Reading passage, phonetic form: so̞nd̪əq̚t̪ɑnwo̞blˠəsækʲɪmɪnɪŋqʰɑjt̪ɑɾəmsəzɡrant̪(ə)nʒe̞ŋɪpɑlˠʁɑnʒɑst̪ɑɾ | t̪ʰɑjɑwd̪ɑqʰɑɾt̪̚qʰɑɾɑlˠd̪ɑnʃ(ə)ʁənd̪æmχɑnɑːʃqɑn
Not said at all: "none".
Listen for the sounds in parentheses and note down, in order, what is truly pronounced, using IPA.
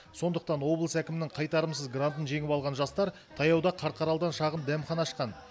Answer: ə, ɑ

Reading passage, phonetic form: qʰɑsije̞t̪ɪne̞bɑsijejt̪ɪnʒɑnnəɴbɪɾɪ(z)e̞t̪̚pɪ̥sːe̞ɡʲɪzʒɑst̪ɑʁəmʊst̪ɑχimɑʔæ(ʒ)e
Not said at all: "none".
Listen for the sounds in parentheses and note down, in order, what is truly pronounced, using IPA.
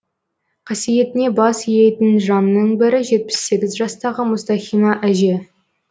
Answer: ʒ, ʒ

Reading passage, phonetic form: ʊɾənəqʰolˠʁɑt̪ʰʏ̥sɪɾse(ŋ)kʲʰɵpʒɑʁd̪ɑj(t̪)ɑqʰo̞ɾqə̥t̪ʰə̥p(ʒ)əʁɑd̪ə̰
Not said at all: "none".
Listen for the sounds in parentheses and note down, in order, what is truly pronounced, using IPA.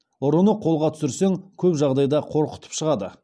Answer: ŋ, d̪, ʃ

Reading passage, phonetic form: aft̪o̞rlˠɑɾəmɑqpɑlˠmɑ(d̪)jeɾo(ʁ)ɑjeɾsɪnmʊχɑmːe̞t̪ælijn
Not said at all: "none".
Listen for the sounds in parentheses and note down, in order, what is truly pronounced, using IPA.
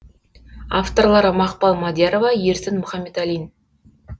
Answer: d̪, v

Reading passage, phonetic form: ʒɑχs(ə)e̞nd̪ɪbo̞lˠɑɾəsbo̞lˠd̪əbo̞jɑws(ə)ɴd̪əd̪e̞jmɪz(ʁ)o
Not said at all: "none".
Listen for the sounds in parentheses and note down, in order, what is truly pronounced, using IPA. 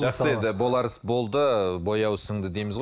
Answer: ə, ə, ʁ

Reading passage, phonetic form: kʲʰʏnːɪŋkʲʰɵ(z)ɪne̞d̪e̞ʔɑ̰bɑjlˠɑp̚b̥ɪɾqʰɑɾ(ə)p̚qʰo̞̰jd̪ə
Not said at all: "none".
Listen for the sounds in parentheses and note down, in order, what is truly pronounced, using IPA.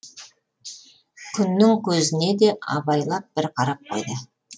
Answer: z, ɑ

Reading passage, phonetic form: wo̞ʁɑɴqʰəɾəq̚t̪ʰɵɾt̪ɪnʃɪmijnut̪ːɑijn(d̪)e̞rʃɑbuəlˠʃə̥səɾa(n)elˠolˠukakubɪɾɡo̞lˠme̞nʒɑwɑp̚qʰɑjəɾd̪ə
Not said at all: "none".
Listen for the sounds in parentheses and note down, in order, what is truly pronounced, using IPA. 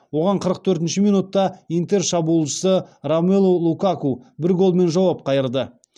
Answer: t̪, m

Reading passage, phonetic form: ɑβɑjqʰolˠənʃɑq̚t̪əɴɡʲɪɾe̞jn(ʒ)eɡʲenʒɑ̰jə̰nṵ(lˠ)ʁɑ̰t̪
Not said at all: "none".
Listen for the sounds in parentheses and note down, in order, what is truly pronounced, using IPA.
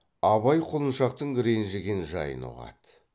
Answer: ʒ, none

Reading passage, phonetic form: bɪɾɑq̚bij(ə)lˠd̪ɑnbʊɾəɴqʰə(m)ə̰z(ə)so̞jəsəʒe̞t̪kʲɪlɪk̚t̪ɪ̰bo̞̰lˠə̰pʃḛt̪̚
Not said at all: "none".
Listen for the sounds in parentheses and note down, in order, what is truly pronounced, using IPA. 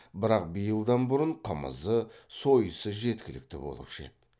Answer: ə, m, ə

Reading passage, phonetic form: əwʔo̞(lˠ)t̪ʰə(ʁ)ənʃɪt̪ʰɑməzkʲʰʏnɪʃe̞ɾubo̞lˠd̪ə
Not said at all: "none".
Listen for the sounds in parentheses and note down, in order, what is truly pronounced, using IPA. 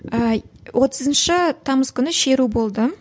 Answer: none, z

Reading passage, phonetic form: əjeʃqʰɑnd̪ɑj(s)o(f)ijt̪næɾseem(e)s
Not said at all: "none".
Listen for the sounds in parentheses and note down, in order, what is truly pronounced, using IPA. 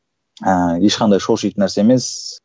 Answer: ʃ, ʃ, e

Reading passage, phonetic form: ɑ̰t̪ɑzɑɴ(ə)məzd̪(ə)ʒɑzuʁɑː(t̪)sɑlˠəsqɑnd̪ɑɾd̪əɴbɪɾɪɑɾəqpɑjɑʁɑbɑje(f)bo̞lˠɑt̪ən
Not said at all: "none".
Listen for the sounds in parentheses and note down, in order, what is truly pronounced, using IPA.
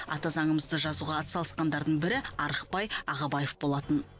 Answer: ə, ə, t̪, f

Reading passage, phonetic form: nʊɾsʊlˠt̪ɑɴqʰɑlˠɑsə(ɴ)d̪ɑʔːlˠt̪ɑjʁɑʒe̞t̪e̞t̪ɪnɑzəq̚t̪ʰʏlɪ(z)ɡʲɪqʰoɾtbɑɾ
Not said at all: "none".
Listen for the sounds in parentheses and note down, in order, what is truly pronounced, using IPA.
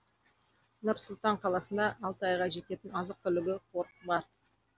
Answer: n, none

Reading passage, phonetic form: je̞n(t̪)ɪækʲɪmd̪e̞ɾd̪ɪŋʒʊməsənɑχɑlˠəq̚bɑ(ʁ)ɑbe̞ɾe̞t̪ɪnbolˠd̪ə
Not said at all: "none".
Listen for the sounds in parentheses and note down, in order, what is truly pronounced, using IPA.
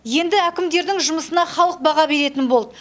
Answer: d̪, ʁ

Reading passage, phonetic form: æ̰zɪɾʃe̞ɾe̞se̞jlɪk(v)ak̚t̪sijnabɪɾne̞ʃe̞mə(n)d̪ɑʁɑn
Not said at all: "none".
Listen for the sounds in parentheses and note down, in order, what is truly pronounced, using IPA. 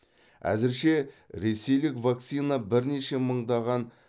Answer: v, ɴ

